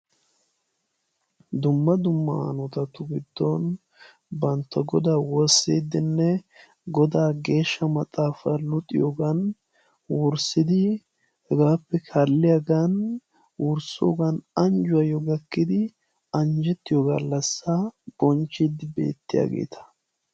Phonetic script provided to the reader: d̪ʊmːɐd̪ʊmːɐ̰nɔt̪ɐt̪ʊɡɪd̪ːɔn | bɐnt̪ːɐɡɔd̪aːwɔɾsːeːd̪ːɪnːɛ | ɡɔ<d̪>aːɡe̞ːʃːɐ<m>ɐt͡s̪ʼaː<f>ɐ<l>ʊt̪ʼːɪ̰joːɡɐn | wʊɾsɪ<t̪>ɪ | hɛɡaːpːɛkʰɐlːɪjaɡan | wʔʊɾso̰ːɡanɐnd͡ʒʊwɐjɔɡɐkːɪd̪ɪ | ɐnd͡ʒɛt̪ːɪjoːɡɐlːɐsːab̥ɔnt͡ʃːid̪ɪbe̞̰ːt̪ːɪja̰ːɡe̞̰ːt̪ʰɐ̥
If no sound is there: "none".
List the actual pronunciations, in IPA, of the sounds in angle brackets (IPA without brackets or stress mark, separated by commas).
d̪, m, f, l, d̪